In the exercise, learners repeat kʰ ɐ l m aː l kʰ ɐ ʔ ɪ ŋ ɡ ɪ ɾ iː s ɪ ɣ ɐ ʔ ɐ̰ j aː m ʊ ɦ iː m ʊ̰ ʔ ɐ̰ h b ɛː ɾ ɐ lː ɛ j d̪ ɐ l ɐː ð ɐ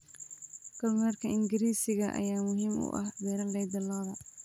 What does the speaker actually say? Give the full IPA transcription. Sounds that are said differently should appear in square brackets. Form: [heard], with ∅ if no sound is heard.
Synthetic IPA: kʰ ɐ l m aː [r] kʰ ɐ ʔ ɪ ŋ ɡ ɪ ɾ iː s ɪ ɣ ɐ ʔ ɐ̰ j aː m ʊ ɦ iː m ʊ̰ ʔ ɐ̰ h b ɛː ɾ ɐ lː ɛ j d̪ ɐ l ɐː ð ɐ